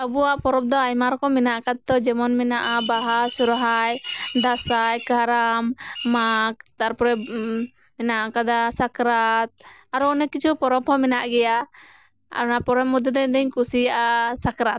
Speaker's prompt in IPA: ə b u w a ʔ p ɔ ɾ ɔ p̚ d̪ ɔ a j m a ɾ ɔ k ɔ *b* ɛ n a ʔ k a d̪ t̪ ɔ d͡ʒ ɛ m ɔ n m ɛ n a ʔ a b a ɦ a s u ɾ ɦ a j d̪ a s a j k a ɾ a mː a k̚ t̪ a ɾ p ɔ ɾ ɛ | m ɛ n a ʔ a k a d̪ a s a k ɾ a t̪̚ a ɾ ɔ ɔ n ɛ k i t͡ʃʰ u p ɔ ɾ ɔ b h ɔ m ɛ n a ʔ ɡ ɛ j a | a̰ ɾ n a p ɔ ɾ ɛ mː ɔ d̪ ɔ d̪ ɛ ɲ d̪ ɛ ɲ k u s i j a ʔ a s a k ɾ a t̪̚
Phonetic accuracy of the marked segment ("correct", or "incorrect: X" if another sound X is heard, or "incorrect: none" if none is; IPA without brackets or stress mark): incorrect: m